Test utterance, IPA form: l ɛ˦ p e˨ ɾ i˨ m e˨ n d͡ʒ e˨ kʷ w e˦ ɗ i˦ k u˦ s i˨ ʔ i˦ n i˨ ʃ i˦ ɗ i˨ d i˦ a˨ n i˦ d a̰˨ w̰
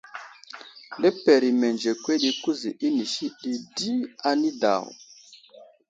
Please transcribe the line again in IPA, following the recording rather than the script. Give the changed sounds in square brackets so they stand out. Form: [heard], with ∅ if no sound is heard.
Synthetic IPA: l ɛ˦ p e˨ ɾ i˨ m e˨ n d͡ʒ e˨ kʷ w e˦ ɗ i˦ k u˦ [z] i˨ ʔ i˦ n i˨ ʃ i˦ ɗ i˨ d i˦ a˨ n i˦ d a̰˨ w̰